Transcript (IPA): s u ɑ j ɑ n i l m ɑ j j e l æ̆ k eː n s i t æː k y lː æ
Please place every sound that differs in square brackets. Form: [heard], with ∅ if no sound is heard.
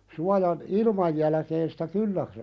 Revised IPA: s u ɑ j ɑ n i l m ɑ j j [æ] l æ̆ k eː n s i t [æ] k y lː æ